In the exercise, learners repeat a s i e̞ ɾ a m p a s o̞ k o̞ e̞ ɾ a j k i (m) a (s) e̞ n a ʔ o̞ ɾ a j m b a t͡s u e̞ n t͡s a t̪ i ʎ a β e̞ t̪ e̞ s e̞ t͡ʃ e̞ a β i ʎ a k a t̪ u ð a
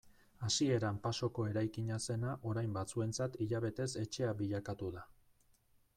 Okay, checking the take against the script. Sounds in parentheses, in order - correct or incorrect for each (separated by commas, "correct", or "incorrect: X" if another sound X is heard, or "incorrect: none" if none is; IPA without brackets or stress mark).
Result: incorrect: ɲ, correct